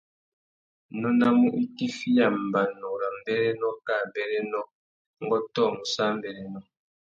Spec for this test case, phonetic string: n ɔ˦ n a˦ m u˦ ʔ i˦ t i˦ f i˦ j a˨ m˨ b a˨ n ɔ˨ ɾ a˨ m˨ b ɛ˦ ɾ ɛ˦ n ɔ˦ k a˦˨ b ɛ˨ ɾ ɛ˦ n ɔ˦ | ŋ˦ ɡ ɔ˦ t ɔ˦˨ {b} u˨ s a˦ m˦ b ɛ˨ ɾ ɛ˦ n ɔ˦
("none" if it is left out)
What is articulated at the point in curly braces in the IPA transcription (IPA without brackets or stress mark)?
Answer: m